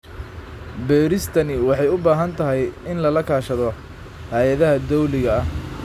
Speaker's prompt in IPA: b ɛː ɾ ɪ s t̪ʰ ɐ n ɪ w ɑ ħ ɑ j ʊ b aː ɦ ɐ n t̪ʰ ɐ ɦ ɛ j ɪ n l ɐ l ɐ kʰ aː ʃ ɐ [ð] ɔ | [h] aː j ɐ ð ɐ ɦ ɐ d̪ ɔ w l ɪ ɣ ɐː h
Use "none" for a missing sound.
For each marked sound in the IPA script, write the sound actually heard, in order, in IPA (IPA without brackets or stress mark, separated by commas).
ð, h